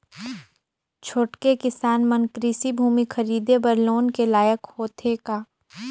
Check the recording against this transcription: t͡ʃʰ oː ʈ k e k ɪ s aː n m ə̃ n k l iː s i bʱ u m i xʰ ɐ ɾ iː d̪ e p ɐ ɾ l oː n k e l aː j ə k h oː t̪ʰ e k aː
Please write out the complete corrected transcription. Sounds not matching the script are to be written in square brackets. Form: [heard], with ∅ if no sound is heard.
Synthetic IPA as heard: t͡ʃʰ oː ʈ k e k ɪ s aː n m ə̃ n k [ɾ] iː s i bʱ [uː] m i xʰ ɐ ɾ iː d̪ e [b] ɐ ɾ l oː n k e l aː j ə k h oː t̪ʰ e k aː